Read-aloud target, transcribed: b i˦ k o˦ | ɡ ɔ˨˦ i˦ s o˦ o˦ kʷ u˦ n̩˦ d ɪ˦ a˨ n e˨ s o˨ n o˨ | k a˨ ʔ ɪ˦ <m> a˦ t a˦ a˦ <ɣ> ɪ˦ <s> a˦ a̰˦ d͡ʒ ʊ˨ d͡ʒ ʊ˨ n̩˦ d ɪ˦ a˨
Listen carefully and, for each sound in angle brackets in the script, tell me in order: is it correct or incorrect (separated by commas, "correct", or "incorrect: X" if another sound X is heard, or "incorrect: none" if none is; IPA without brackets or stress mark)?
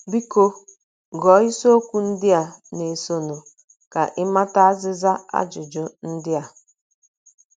correct, incorrect: z, incorrect: z